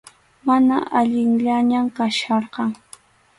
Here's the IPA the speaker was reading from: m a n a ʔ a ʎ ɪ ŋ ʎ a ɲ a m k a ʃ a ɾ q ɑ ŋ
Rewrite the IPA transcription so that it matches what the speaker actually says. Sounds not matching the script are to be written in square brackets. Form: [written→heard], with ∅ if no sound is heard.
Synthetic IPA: m a n a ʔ a ʎ ɪ ŋ ʎ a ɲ a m k a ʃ [a→ɑ] ɾ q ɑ ŋ